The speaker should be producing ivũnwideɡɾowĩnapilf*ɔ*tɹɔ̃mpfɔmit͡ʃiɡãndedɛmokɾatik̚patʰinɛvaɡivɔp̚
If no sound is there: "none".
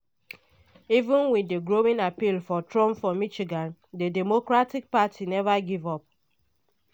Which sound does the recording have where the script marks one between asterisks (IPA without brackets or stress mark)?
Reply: ɔ